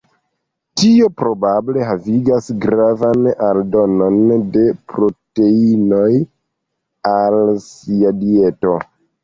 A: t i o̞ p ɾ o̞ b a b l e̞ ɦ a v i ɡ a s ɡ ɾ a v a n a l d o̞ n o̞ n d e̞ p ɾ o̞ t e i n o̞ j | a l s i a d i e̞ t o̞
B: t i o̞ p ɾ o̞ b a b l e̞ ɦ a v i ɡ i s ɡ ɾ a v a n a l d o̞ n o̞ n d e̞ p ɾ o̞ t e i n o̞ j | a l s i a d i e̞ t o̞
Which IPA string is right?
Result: A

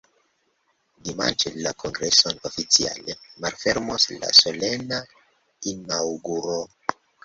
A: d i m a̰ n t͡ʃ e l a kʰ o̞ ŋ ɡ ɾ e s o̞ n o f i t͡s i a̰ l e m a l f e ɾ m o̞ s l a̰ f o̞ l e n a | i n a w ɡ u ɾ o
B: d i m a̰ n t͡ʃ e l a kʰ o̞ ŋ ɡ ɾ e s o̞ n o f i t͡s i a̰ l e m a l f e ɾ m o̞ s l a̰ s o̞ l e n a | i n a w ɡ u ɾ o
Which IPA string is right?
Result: B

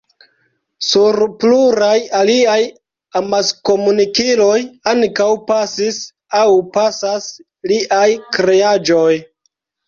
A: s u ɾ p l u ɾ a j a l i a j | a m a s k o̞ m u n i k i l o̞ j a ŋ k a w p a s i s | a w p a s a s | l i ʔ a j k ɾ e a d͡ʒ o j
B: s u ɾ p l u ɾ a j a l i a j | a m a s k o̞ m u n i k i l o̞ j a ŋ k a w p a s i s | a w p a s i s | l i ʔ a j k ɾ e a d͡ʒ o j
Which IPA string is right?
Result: A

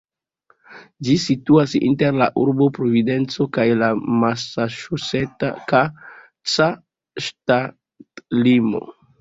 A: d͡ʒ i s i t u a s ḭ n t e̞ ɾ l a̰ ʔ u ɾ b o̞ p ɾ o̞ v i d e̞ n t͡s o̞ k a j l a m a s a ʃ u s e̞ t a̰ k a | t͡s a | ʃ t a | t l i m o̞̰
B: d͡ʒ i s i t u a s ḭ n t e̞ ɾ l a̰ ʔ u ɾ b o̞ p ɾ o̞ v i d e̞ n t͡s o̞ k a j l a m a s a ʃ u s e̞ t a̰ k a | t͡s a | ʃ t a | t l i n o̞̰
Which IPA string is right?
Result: A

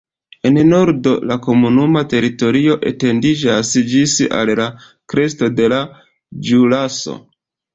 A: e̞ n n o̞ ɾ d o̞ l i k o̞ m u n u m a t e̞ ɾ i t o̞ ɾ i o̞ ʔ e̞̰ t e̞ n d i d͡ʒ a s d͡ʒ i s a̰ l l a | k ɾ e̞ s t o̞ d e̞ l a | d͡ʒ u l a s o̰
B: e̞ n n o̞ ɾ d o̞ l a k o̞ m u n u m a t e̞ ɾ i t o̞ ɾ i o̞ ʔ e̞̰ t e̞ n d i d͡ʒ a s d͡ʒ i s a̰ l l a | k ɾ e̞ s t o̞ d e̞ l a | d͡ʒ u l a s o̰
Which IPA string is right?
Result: B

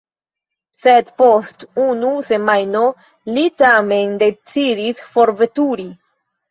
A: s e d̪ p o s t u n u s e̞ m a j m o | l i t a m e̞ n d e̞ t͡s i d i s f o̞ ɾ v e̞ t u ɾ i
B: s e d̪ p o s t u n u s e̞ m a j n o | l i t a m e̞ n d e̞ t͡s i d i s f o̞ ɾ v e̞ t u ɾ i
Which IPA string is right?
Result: B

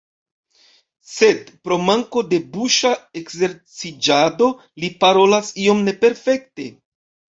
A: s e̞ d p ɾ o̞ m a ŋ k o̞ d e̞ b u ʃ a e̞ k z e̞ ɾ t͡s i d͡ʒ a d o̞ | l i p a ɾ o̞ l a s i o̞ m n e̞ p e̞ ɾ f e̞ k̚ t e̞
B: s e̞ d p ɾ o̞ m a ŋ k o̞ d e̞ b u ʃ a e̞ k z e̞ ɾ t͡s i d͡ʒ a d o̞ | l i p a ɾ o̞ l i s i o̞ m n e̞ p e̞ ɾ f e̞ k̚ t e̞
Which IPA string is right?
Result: A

